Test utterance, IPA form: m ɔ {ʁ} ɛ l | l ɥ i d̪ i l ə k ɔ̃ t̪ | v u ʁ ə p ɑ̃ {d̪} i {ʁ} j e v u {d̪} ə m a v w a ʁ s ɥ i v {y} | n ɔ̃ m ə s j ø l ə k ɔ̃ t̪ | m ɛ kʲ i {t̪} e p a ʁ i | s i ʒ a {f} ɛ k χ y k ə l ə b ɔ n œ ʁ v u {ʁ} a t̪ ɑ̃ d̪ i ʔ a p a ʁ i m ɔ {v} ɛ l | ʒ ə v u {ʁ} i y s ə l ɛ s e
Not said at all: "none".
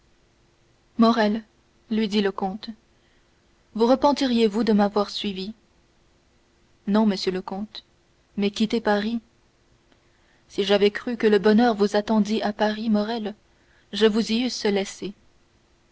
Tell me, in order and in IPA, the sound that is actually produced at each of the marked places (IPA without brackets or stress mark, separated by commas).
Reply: ʁ, t̪, ʁ, d̪, i, t̪, v, z, ʁ, z